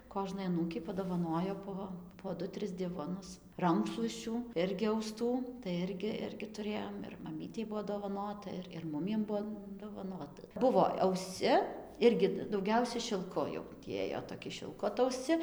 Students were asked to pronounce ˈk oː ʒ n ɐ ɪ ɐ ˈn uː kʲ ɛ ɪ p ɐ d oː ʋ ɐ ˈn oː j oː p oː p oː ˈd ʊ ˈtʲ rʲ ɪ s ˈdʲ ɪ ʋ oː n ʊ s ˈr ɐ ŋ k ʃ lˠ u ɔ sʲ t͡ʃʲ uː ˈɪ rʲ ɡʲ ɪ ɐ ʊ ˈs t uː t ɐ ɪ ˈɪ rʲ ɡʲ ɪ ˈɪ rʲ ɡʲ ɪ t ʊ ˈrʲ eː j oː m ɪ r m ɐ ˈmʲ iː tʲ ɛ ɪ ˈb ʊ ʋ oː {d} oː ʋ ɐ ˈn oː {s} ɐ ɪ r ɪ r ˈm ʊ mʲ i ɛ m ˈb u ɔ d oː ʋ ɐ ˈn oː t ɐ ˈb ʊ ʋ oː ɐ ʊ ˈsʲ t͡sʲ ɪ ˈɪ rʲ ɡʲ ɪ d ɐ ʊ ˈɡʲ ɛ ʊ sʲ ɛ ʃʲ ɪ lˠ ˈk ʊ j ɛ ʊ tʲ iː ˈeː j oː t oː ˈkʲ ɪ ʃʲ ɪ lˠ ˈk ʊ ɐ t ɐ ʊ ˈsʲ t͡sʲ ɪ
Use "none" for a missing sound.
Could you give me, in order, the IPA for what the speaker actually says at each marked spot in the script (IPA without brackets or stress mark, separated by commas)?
d, t